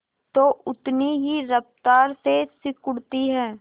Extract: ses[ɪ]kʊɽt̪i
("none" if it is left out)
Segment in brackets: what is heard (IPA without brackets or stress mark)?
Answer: ɪ